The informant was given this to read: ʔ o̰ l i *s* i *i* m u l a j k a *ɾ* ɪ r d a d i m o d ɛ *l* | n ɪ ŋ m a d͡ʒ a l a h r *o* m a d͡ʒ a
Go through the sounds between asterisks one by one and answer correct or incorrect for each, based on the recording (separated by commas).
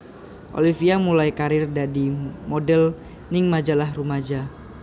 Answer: incorrect, incorrect, correct, correct, incorrect